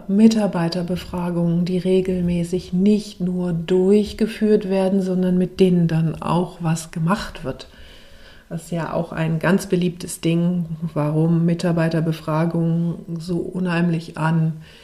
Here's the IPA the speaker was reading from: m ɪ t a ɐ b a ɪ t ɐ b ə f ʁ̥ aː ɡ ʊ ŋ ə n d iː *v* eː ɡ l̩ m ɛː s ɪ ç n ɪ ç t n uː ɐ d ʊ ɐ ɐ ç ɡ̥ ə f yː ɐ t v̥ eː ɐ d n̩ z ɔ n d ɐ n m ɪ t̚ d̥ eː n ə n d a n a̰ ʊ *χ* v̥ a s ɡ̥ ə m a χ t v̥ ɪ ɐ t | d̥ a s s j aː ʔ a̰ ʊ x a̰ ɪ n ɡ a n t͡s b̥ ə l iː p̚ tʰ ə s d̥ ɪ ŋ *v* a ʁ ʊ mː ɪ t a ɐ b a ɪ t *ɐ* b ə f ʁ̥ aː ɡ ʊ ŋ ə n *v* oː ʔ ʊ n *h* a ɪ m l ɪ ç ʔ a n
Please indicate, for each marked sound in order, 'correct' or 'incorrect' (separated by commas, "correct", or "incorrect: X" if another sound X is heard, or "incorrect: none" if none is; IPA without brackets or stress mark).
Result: incorrect: ʁ, incorrect: x, correct, correct, incorrect: z, correct